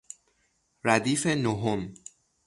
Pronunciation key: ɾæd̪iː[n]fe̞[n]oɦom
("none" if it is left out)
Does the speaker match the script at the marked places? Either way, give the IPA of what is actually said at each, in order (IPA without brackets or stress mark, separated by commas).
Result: none, n